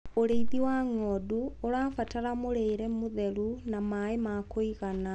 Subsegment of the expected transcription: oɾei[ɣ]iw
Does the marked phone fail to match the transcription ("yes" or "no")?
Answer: yes